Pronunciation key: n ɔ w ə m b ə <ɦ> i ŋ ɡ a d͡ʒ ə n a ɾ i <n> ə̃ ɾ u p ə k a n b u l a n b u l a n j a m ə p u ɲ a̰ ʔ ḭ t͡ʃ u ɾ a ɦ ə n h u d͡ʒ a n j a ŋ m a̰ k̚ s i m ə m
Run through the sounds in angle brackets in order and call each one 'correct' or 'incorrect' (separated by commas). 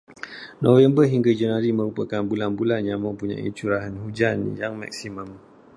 correct, incorrect